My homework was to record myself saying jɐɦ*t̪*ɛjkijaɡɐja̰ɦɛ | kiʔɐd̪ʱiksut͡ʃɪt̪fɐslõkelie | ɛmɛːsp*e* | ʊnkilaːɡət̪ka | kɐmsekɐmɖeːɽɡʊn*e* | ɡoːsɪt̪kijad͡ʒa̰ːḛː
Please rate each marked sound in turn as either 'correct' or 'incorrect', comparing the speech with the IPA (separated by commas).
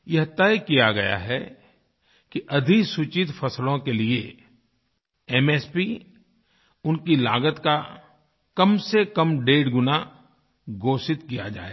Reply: correct, incorrect, incorrect